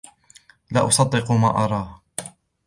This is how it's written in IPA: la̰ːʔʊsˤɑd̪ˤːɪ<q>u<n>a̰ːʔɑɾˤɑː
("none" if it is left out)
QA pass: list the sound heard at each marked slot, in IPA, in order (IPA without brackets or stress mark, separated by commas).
q, m